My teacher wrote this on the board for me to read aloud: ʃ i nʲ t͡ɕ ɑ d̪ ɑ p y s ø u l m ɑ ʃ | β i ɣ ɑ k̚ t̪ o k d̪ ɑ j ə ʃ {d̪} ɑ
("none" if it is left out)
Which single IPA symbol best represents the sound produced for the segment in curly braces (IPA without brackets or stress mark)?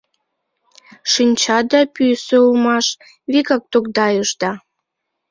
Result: d̪